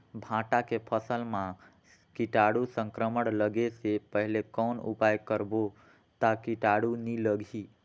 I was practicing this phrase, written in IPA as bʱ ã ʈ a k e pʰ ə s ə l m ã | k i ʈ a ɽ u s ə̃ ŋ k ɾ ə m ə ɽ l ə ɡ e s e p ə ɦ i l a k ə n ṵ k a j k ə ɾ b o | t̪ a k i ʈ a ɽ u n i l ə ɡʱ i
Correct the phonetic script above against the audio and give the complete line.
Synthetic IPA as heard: bʱ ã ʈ a k e pʰ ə s ə l m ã | k i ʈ a ɽ u s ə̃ ŋ k ɾ ə m ə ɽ l ə ɡ e s e p ə ɦ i l e k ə n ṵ p a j k ə ɾ b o | t̪ a k i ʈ a ɽ u n i l ə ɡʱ i